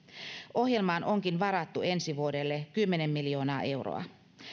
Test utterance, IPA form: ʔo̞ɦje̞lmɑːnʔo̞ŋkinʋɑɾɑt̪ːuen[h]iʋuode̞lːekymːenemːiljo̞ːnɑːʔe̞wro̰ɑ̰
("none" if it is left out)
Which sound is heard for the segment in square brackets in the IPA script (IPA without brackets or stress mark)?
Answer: s